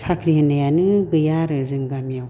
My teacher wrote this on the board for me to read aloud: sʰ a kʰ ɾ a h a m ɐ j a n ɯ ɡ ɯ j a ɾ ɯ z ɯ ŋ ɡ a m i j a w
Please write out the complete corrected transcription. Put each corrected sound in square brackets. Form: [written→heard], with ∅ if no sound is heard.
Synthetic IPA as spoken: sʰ a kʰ ɾ [a→i] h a [m→n] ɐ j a n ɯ ɡ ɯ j a ɾ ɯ z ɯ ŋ ɡ a m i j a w